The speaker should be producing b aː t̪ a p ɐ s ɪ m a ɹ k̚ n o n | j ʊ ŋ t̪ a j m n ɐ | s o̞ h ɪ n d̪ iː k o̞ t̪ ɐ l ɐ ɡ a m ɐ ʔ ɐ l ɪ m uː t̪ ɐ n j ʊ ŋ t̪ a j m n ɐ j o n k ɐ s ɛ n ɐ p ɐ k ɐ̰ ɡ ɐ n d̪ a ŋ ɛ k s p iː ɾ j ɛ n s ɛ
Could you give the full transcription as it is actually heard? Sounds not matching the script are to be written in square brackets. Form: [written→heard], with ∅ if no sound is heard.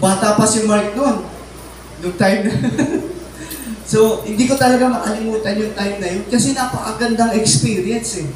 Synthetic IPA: b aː t̪ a p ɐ s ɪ m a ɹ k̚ n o n | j ʊ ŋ t̪ a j m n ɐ | s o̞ h ɪ n d̪ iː k o̞ t̪ ɐ l ɐ ɡ a m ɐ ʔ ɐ l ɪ m uː t̪ ɐ n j ʊ ŋ t̪ a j m n ɐ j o n k ɐ s ɛ n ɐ p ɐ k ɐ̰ ɡ ɐ n d̪ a ŋ ɛ k s p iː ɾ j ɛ n s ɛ